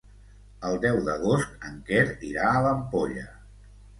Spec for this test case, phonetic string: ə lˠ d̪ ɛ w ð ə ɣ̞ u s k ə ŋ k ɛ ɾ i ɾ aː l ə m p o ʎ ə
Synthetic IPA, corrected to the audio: ə lˠ d̪ ɛ w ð ə ɣ̞ o s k ə ŋ k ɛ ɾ i ɾ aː l ə m p o ʎ ə

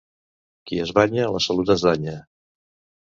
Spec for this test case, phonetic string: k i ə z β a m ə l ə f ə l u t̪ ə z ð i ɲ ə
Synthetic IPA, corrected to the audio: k i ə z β a ɲ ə l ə s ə l u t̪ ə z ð a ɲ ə

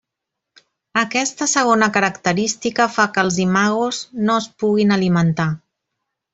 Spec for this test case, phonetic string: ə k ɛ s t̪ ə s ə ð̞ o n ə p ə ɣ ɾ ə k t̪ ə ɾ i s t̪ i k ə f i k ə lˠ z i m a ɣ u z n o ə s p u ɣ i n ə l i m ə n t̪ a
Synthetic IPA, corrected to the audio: ə k ɛ s t̪ ə s ə ɣ̞ o n ə k ə ɾ ə k t̪ ə ɾ i s t̪ i k ə f a k ə lˠ z i m a ɣ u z n o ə s p u ɣ i n ə l i m ə n t̪ a

